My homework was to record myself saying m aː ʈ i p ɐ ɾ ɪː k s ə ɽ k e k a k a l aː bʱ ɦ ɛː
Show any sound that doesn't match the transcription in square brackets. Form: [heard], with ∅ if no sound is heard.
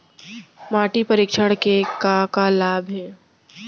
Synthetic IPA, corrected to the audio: m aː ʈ i p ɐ ɾ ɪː k [ʃ] ə ɽ k e k a k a l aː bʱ ɦ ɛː